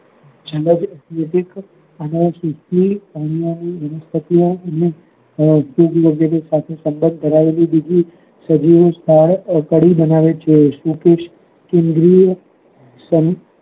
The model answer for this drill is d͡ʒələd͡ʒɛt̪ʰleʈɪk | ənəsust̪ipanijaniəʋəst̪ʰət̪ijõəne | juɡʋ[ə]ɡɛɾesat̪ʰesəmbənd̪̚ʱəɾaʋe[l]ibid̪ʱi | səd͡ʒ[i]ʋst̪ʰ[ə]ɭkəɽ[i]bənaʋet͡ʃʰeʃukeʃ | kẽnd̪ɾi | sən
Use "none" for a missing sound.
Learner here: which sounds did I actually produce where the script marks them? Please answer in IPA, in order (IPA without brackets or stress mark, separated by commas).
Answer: ə, l, i, a, i